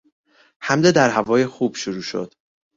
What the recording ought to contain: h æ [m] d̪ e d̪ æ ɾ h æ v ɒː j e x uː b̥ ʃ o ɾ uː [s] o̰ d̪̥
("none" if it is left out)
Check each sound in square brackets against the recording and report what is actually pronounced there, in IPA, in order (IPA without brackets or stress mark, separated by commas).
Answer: m, ʃ